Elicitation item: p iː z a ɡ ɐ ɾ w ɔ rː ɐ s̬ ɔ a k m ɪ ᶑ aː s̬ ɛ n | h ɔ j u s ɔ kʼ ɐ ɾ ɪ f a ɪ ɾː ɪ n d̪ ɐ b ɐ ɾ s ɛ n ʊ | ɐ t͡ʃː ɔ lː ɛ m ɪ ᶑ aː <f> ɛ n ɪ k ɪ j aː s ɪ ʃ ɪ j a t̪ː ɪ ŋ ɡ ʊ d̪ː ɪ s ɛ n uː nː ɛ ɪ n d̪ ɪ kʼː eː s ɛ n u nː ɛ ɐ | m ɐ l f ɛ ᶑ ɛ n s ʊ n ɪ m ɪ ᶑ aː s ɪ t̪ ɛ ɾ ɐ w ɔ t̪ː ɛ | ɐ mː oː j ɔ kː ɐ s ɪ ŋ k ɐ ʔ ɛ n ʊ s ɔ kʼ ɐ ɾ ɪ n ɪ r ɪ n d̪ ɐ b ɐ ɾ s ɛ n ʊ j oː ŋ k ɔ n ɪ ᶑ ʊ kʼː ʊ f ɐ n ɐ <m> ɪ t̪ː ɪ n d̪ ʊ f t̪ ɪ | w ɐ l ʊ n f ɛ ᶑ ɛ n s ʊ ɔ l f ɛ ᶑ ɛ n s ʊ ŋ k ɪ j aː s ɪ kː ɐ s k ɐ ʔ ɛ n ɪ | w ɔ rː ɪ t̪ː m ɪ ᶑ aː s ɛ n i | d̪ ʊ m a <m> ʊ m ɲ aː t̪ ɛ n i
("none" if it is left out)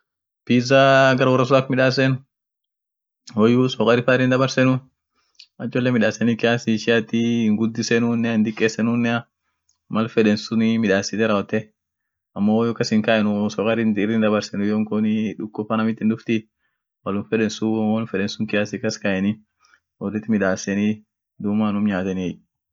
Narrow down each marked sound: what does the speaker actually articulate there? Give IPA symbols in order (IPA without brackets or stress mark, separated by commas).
s, m, n